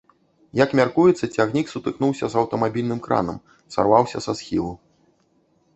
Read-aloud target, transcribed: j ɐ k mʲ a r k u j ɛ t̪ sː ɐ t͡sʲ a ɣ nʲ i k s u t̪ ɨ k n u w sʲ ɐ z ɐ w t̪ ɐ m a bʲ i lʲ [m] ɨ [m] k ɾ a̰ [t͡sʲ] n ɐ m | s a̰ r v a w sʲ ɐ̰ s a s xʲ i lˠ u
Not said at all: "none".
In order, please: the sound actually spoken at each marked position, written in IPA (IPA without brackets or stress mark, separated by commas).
n, m, none